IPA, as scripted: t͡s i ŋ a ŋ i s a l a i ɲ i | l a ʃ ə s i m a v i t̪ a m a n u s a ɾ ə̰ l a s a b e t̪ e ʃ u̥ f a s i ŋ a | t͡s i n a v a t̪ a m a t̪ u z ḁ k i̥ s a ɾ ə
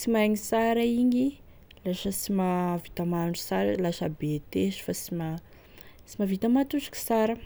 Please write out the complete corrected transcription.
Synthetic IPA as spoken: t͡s i m a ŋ i s a ɾ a i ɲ i | l a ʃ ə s i m a v i t̪ a m a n u s a ɾ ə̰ l a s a b e t̪ e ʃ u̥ f a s i m a | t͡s i m a v i t̪ a m a t̪ u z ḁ k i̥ s a ɾ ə